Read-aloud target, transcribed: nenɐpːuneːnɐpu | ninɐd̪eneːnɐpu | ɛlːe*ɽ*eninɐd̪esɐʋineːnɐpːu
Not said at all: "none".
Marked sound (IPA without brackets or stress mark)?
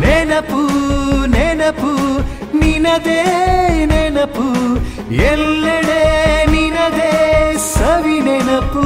ɽ